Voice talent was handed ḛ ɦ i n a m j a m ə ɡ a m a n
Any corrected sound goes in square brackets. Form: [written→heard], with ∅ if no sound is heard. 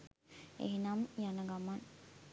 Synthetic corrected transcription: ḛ ɦ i n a m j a [m→n] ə ɡ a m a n